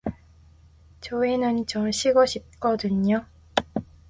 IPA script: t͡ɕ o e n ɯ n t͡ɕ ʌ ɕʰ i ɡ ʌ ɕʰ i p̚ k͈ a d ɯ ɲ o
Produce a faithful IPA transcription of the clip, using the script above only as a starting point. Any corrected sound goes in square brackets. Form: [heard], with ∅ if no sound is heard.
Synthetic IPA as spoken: t͡ɕ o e n ɯ n t͡ɕ ʌ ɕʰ i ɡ ʌ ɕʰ i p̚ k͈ [ʌ] d ɯ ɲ o